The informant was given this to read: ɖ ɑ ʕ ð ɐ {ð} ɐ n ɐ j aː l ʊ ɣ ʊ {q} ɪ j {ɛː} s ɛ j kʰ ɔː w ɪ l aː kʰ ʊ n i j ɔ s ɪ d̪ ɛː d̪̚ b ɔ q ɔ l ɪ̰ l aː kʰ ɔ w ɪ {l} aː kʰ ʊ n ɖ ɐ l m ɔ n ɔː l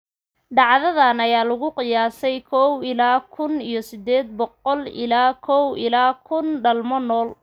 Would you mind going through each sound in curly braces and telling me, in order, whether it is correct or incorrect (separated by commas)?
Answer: correct, correct, incorrect, correct